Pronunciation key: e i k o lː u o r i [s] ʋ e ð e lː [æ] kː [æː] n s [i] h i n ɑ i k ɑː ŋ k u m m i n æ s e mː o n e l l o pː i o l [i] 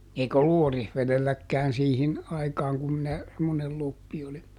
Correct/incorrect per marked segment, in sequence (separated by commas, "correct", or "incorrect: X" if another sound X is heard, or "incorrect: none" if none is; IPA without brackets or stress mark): incorrect: h, correct, correct, incorrect: iː, correct